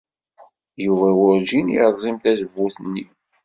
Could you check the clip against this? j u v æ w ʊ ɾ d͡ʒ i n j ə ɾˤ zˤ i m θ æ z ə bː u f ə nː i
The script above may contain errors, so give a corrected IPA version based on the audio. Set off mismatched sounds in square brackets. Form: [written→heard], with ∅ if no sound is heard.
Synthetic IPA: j u v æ w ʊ ɾ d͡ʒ i n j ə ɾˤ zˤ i m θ æ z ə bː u [f→θ] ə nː i